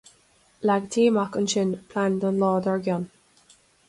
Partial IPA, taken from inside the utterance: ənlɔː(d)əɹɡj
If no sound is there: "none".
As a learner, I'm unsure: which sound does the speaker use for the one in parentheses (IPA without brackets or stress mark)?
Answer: d